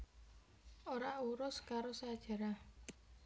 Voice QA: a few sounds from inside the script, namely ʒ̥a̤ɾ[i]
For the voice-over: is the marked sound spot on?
no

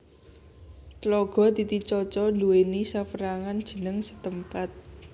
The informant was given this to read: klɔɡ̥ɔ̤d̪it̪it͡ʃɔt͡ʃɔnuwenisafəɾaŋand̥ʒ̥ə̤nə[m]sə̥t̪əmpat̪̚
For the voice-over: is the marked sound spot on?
no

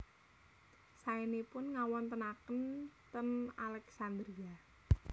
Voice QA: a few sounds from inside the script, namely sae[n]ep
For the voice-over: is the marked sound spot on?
yes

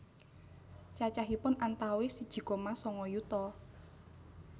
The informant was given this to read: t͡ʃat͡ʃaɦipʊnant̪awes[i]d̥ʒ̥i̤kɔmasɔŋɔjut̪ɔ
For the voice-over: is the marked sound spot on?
yes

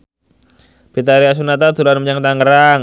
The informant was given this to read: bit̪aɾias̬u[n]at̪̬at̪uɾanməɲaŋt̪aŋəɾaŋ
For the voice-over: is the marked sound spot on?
yes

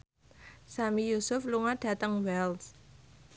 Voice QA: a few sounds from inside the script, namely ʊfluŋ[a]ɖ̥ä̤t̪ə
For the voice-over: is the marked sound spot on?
yes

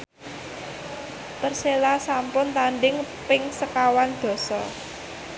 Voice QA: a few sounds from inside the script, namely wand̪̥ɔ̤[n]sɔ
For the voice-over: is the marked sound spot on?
no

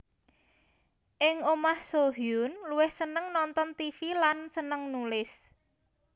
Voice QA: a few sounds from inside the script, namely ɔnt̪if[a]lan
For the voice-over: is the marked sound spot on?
no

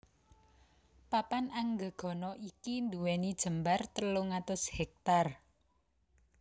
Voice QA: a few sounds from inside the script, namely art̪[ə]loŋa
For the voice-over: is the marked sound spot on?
yes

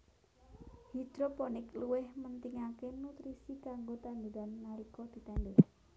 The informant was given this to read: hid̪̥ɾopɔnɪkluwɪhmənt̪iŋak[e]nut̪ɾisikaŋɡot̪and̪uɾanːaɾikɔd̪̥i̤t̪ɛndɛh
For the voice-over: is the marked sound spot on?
yes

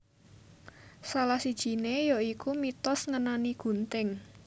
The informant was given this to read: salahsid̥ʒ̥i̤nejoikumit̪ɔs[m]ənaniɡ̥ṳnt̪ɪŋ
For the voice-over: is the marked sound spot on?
no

